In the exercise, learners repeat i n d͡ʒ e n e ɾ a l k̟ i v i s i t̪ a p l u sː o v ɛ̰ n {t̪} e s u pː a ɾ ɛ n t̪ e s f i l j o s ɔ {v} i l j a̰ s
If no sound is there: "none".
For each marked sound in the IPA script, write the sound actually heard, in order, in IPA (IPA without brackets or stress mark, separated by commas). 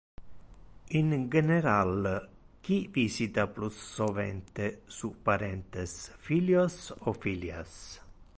t̪, f